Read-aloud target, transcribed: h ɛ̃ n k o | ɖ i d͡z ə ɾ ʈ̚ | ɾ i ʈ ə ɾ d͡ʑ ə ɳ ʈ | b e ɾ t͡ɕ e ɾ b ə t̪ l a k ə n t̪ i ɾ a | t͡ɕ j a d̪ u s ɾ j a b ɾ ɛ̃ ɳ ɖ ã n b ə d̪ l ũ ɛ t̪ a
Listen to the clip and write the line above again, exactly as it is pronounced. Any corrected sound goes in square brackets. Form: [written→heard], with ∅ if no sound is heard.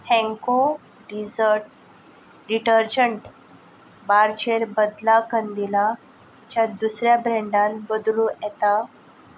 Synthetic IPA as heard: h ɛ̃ [n→ŋ] k o | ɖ i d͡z ə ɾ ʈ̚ | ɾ i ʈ ə ɾ d͡ʑ ə ɳ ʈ | b [e→a] ɾ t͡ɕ e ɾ b ə [t̪→d̪] l a k ə n [t̪→d̪] i [ɾ→l] a | t͡ɕ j a d̪ u s ɾ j a b ɾ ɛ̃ ɳ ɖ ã n b ə d̪ l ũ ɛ t̪ a